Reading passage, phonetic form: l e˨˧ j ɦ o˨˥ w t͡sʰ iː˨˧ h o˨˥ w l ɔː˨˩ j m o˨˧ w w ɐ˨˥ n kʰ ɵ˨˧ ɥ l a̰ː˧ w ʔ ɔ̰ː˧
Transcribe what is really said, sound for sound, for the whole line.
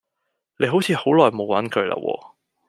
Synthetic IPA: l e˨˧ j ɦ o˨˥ w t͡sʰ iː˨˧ h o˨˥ w l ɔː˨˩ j m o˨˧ w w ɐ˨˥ n kʰ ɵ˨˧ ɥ l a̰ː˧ w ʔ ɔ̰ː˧